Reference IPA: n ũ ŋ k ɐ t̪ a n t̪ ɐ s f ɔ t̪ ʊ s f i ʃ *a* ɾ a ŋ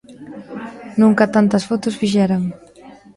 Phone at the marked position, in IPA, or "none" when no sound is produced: ɛ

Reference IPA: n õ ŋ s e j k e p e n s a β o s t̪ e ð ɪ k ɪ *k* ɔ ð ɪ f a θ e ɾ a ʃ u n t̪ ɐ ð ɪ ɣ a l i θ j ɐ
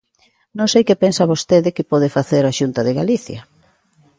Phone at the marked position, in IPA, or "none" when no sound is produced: p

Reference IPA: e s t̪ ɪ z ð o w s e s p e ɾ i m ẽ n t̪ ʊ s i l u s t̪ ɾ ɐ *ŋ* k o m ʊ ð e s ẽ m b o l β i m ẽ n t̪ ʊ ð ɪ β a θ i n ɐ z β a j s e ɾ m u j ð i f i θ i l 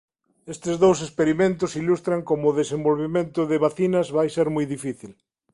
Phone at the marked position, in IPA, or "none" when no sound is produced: ŋ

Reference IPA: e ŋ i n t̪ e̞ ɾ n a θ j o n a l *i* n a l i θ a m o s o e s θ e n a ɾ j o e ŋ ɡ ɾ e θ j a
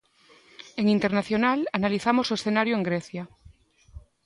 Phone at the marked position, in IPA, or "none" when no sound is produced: a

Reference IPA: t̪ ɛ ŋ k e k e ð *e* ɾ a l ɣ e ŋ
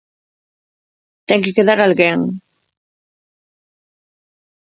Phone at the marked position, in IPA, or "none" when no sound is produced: a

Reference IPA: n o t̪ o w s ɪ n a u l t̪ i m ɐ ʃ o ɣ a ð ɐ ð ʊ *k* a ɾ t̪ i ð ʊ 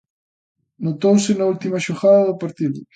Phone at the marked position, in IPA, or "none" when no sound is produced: p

